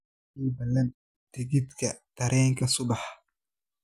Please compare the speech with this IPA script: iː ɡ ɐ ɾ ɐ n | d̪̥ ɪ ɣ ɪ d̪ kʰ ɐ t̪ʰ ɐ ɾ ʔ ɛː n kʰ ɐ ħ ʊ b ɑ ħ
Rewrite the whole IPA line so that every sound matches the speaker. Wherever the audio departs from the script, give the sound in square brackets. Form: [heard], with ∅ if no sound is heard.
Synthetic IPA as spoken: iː [b] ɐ [l] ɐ n | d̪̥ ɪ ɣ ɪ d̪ kʰ ɐ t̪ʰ ɐ ɾ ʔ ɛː [ŋ] kʰ ɐ [s] ʊ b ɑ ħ

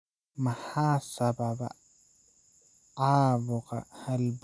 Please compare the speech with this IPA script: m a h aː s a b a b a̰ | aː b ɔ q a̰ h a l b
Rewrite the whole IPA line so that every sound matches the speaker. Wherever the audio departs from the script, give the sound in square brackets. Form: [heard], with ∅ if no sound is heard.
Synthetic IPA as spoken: m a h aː s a b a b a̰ | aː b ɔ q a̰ h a l b

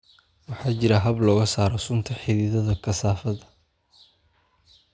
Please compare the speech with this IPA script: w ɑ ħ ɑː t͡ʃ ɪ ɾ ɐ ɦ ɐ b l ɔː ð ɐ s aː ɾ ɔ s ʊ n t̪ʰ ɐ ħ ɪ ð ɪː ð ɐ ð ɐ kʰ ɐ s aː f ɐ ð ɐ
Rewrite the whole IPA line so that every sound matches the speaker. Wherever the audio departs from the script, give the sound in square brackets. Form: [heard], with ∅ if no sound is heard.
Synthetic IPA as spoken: w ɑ ħ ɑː t͡ʃ ɪ ɾ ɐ ɦ ɐ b l ɔː [ɣ] ɐ s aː ɾ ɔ s ʊ n t̪ʰ ɐ ħ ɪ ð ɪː ð ɐ ð ɐ kʰ ɐ s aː f ɐ ð ɐ

